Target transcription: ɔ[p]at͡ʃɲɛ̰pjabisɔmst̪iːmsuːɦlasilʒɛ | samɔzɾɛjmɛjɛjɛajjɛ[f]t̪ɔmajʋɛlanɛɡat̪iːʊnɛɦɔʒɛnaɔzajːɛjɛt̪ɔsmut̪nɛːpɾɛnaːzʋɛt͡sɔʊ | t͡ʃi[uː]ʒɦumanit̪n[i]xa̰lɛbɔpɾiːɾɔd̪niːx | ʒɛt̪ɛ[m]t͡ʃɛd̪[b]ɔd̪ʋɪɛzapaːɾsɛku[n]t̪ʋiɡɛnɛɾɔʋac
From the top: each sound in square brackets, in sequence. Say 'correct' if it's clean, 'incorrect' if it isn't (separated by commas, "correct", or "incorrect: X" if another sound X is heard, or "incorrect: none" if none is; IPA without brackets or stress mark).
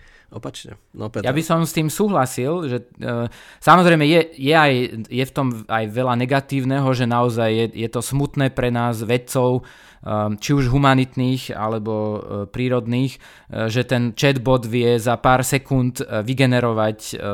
correct, correct, incorrect: u, incorrect: iː, incorrect: n, correct, correct